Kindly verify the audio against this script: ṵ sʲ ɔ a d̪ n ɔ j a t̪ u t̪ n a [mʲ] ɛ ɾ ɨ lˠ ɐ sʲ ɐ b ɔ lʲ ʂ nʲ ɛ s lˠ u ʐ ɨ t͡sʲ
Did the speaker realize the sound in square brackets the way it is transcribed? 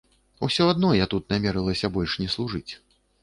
yes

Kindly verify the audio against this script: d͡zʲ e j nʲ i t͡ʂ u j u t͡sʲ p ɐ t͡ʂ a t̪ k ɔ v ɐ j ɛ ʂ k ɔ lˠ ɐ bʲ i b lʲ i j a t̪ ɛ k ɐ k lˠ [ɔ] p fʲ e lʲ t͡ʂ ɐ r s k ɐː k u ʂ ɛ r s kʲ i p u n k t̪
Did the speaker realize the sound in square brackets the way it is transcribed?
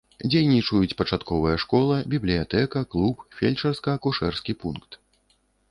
no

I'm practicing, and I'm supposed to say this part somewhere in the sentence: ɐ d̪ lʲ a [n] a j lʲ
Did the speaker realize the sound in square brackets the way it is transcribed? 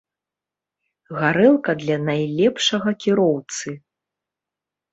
yes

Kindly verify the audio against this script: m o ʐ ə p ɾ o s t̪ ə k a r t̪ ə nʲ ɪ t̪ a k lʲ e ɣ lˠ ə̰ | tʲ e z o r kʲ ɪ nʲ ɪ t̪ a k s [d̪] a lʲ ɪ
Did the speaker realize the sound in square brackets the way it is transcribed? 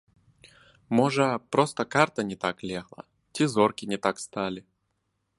no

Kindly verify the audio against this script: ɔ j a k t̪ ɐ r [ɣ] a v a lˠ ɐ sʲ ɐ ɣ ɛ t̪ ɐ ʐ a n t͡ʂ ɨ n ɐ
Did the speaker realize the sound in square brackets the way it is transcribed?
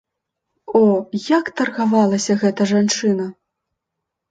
yes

